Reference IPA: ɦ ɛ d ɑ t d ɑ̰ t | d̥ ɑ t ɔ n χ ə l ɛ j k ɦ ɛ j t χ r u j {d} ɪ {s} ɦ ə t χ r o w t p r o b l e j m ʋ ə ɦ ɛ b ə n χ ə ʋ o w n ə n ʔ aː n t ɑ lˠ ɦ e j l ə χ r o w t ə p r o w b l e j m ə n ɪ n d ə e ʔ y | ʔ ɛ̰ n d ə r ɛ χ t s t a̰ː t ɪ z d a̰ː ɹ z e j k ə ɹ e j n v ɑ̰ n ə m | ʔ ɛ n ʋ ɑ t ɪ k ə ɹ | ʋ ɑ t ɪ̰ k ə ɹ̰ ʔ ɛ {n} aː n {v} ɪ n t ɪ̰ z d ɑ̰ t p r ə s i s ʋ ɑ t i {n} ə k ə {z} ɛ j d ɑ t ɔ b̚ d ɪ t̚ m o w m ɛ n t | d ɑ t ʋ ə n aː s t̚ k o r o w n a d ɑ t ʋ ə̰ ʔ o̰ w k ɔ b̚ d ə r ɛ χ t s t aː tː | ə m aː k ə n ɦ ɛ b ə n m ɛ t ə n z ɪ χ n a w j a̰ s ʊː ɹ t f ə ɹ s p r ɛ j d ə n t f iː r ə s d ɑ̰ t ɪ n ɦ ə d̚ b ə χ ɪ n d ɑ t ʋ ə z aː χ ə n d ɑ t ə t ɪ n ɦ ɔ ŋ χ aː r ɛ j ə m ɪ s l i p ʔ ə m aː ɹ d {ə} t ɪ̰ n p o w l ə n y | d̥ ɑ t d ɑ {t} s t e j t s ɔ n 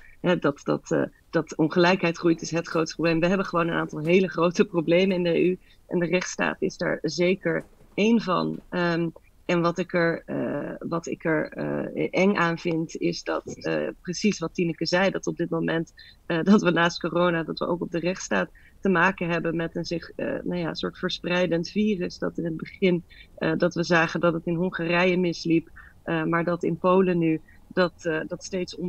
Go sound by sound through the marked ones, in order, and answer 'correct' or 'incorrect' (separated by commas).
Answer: incorrect, correct, incorrect, correct, correct, correct, incorrect, correct